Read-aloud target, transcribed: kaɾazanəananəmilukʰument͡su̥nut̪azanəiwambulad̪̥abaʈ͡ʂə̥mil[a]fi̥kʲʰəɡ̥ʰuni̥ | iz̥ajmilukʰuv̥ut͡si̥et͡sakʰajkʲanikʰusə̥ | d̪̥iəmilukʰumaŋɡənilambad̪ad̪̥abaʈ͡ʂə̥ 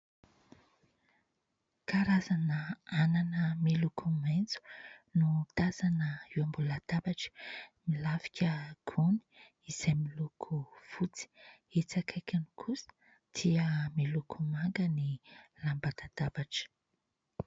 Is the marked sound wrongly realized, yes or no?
no